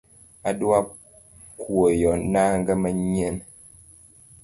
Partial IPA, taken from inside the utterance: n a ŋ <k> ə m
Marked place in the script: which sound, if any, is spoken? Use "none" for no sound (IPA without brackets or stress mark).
ɡ